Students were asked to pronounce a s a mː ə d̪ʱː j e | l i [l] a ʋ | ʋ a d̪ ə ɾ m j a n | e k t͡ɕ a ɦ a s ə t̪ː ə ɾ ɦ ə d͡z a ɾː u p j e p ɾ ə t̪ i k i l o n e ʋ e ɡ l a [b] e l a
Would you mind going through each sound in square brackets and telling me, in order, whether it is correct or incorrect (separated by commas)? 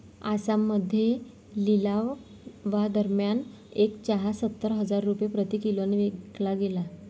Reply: correct, incorrect